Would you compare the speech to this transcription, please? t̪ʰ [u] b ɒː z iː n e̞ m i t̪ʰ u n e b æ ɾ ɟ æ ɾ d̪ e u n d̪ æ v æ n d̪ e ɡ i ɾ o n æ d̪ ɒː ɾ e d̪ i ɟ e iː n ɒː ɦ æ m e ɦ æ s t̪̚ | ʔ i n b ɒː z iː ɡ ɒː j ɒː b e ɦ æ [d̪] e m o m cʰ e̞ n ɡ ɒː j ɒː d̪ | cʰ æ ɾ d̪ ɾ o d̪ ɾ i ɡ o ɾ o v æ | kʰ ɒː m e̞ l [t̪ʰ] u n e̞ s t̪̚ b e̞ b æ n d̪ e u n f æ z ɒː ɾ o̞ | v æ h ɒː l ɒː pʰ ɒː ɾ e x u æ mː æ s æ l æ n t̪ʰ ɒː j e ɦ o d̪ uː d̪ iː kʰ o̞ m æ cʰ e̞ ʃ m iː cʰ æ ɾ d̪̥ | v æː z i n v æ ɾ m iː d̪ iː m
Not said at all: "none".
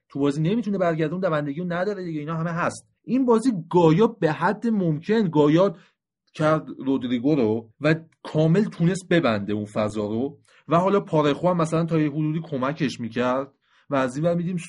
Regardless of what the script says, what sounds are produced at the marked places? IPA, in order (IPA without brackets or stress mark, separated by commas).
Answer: u, d̪ː, t̪ʰ